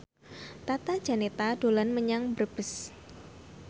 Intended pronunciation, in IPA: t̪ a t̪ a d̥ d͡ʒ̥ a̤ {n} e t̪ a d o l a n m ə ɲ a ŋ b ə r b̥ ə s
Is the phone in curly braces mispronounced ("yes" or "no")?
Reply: no